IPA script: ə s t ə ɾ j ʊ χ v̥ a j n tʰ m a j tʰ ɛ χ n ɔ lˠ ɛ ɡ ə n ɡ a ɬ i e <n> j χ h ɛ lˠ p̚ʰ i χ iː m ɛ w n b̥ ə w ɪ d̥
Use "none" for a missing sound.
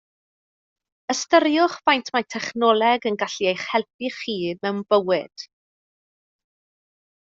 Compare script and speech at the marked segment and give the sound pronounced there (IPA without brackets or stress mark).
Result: none